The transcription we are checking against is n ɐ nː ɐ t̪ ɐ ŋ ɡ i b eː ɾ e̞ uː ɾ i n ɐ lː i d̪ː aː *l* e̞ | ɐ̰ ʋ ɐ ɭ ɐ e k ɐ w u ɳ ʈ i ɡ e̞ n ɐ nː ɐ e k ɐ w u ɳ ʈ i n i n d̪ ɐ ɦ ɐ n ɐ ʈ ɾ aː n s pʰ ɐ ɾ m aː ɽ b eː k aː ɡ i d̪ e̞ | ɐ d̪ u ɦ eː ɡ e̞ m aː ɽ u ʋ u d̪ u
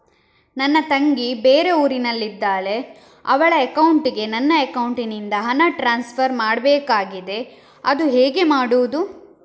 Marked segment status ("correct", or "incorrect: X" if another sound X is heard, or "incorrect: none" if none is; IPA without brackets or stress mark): correct